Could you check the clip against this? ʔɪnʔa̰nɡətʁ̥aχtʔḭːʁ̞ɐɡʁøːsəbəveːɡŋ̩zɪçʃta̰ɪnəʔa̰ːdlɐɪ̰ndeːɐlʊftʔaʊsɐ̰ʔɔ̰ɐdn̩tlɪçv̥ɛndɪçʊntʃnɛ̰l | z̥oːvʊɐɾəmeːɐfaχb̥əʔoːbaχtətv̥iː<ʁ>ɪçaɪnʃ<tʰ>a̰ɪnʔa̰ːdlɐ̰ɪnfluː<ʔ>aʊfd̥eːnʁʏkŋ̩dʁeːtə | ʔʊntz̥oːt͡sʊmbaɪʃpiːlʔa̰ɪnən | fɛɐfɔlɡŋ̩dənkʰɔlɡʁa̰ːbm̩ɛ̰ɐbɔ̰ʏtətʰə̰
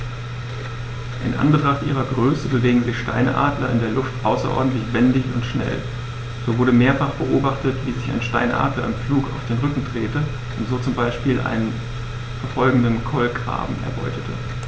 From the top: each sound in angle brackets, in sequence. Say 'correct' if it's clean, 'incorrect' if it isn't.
incorrect, incorrect, incorrect

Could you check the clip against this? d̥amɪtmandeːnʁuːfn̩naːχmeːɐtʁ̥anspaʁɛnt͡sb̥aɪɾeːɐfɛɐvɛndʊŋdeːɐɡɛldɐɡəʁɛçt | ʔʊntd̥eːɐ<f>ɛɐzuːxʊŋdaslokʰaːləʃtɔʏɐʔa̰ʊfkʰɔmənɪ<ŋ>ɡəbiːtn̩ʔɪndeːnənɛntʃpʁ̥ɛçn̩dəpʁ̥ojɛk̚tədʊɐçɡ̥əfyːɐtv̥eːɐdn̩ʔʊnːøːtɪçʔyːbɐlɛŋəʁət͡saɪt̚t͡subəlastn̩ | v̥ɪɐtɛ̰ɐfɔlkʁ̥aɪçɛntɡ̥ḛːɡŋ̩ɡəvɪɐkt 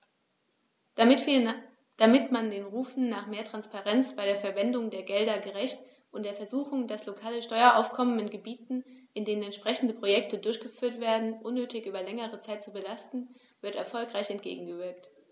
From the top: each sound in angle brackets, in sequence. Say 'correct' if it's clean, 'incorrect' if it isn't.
correct, incorrect

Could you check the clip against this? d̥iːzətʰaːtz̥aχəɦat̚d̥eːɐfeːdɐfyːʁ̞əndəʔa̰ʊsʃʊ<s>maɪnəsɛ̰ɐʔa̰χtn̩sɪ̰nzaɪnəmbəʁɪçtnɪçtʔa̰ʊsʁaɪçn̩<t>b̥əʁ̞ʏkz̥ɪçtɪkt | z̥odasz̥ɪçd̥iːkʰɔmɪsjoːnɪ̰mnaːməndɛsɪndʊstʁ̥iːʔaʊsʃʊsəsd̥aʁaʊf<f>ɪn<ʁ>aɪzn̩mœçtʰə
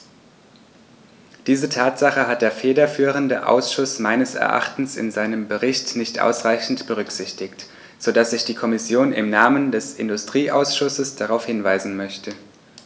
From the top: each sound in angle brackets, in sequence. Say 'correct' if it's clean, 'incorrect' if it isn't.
correct, correct, incorrect, incorrect

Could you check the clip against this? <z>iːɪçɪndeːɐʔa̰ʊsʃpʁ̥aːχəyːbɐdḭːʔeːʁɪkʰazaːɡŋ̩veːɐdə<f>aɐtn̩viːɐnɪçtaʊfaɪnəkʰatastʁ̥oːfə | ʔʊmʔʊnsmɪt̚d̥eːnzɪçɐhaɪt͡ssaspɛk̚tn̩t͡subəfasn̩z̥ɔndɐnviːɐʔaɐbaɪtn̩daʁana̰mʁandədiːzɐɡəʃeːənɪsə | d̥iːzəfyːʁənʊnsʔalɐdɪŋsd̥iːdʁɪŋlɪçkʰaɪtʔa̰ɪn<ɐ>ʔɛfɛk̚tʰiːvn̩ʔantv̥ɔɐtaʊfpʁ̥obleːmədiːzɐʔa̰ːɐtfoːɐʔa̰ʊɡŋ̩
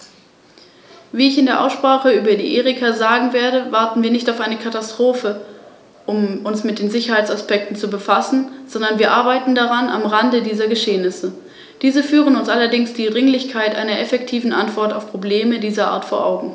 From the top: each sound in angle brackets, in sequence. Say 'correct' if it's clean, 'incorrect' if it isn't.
incorrect, incorrect, correct

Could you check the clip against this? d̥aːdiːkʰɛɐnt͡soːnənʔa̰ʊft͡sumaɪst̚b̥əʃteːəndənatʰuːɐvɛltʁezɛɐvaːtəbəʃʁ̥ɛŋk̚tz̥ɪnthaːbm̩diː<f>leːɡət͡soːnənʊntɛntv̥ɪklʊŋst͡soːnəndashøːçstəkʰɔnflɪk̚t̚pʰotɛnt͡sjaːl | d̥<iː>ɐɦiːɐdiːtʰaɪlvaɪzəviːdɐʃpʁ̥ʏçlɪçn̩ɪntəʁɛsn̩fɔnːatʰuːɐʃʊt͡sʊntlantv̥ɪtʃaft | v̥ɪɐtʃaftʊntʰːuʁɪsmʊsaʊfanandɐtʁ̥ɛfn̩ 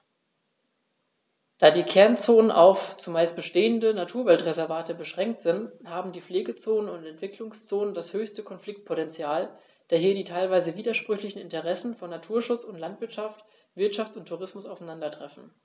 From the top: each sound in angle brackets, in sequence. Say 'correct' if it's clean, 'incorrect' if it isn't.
correct, incorrect

